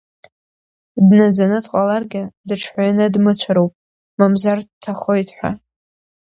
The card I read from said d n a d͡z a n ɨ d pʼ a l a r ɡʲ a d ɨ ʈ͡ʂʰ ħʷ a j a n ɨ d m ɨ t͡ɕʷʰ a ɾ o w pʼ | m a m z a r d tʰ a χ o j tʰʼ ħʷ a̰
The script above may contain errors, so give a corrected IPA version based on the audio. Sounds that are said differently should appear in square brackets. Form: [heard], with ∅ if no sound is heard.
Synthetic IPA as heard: d n a d͡z a n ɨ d [qʼ] a l a r ɡʲ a d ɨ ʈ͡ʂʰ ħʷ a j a n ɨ d m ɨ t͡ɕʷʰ a ɾ o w pʼ | m a m z a r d tʰ a χ o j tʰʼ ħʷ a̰